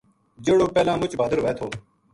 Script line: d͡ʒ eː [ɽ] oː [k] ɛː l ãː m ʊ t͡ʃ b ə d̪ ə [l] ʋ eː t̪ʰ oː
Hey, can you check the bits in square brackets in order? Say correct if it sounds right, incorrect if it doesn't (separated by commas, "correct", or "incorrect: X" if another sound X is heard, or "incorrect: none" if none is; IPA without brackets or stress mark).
correct, incorrect: p, incorrect: ɾ